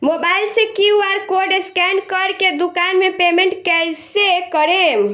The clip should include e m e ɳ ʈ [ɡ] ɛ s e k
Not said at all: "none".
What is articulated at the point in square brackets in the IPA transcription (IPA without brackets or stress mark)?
k